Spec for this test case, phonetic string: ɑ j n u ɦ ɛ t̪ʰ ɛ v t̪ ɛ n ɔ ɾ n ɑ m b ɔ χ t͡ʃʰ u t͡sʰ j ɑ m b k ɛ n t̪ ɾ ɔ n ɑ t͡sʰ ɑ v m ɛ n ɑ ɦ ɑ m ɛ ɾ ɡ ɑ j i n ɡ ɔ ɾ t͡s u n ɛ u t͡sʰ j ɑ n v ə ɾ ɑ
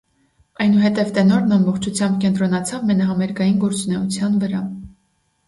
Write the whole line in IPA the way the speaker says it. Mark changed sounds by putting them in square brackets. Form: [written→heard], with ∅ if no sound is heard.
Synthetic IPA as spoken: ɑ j n u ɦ ɛ [t̪ʰ→t̪] ɛ v t̪ ɛ n ɔ ɾ n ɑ m b ɔ χ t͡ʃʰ u t͡sʰ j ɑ m b k ɛ n t̪ ɾ ɔ n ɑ t͡sʰ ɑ v m ɛ n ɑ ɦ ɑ m ɛ ɾ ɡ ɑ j i n ɡ ɔ ɾ t͡s u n ɛ u t͡sʰ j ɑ n v ə ɾ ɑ